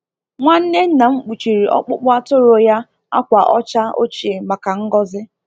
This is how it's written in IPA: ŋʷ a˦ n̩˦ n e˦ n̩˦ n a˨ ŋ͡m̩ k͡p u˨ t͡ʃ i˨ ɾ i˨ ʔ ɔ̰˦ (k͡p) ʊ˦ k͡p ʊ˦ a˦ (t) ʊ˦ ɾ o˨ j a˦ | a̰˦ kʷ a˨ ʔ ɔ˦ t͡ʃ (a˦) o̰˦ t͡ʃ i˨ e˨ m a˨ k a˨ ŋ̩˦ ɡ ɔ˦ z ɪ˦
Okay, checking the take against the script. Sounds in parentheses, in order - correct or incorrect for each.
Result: correct, correct, correct

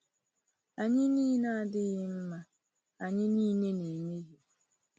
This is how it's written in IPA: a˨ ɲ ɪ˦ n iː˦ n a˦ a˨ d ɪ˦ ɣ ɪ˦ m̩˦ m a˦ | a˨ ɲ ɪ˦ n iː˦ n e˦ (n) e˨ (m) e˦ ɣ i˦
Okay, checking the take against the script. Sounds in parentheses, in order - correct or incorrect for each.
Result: correct, correct

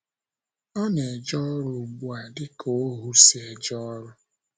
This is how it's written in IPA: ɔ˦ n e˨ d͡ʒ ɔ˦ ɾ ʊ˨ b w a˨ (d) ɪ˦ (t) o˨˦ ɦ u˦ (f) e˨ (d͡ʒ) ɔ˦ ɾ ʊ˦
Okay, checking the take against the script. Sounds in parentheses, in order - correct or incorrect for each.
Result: correct, incorrect: k, incorrect: s, correct

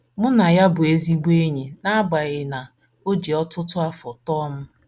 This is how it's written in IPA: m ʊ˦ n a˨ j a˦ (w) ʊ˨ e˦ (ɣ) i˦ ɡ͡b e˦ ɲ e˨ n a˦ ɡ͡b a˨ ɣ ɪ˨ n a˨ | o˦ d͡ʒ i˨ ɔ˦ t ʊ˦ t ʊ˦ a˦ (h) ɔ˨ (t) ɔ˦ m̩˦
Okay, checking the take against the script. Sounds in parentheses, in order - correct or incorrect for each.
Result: incorrect: b, incorrect: z, incorrect: f, correct

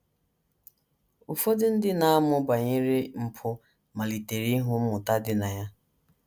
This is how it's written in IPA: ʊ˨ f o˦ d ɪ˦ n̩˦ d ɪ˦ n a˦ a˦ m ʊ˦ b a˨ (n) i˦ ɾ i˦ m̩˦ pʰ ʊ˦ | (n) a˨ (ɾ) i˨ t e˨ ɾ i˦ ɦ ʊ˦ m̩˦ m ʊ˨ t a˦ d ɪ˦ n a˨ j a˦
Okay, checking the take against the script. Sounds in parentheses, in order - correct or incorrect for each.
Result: incorrect: ɲ, incorrect: m, incorrect: l

